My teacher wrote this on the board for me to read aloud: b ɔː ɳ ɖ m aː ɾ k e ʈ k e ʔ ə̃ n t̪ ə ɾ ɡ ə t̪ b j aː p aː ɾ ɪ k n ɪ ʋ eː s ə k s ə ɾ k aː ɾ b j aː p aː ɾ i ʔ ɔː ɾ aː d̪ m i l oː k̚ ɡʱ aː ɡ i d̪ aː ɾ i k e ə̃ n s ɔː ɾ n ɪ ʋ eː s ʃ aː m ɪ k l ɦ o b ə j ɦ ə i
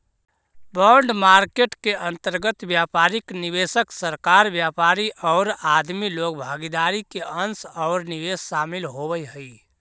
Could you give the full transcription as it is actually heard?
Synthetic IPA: b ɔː ɳ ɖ m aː ɾ k e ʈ k e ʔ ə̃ n t̪ ə ɾ ɡ ə t̪ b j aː p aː ɾ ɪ k n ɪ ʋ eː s ə k s ə ɾ k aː ɾ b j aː p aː ɾ i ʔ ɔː ɾ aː d̪ m i l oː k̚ bʱ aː ɡ i d̪ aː ɾ i k e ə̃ n s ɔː ɾ n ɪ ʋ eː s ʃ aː m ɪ l ɦ o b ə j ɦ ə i